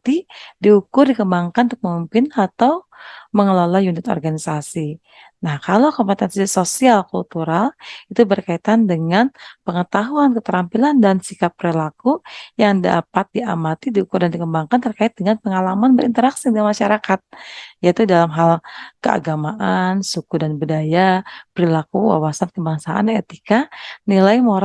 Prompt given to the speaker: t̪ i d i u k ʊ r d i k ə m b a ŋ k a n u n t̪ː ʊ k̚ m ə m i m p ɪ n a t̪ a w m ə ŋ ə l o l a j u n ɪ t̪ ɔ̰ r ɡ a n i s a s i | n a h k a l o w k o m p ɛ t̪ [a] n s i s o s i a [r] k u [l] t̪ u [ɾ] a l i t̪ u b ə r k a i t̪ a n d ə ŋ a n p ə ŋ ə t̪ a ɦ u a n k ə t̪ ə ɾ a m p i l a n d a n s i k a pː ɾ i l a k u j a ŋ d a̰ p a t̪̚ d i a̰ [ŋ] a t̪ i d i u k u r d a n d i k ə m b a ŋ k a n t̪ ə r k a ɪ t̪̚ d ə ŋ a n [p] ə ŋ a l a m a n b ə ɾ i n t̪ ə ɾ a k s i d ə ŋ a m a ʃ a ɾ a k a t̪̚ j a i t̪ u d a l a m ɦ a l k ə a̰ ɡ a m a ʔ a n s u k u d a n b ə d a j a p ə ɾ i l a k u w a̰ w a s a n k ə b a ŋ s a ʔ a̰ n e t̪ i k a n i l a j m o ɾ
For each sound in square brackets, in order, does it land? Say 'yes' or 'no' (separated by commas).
no, no, yes, yes, no, yes